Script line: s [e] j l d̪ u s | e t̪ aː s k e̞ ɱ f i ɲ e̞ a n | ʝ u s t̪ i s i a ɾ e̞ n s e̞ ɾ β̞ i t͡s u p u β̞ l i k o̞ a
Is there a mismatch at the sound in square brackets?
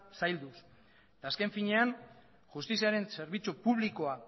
yes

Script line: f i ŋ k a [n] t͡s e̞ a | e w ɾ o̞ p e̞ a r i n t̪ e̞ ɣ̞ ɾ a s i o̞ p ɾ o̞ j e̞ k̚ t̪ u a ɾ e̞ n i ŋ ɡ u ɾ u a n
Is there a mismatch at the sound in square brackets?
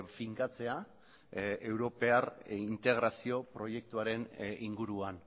yes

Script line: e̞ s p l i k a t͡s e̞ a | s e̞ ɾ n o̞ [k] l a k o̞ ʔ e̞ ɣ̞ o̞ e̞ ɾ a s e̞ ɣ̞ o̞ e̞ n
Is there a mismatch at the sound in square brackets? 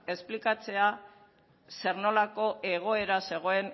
yes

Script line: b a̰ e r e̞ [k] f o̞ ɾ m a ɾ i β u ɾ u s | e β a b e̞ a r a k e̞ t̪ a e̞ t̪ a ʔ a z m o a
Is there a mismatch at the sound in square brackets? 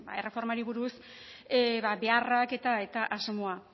yes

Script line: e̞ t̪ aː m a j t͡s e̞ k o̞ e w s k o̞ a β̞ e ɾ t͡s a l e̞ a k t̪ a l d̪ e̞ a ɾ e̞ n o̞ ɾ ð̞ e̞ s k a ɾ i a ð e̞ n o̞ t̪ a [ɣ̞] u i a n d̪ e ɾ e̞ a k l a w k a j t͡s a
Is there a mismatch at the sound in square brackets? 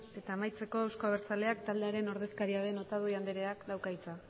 yes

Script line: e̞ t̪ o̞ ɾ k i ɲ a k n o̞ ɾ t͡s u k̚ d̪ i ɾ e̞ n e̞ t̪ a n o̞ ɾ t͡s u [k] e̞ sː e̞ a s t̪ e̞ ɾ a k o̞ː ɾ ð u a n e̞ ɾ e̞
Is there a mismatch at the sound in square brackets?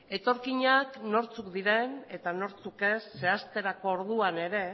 no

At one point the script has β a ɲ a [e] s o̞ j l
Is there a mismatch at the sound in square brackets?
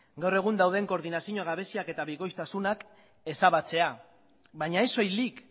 no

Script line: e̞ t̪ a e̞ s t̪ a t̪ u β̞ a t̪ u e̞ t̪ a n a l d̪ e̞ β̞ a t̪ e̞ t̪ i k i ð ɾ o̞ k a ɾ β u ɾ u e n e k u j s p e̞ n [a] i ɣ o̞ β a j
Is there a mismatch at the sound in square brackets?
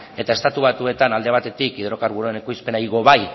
no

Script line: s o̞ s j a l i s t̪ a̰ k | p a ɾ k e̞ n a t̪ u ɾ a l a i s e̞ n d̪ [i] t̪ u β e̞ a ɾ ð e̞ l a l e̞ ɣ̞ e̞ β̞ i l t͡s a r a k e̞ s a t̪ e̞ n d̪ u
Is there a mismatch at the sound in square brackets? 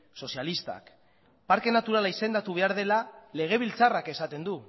yes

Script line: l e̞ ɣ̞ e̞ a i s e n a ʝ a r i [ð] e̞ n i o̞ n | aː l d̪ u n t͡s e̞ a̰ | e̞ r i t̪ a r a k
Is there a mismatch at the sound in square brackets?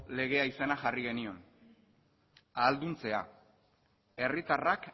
yes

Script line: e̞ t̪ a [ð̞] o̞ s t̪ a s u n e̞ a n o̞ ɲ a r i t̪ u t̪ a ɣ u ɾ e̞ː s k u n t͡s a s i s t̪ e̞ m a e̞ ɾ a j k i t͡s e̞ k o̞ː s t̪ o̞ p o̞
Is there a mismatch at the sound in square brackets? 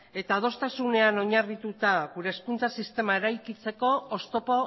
no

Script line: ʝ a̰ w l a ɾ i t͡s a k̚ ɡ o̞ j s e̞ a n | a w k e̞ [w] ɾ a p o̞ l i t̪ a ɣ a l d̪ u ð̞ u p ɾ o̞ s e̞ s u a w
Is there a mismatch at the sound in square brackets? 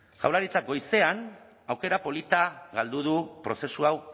yes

